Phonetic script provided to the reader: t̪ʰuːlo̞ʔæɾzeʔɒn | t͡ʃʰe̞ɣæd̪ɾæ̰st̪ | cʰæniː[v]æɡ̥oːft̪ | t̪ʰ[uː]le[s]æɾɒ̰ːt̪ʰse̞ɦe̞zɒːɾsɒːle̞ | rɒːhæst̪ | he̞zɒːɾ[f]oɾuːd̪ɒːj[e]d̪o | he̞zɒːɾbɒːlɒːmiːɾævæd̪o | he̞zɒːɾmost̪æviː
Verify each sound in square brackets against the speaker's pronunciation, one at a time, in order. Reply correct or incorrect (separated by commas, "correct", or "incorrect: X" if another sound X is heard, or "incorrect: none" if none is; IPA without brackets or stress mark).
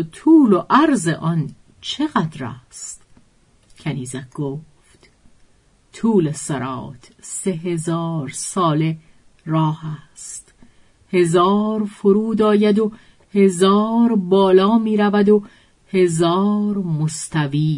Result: incorrect: z, correct, correct, correct, incorrect: æ